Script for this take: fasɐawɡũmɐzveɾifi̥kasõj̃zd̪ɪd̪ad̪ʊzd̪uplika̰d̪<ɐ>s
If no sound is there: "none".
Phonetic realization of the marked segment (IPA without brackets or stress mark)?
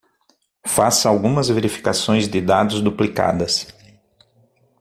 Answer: ɐ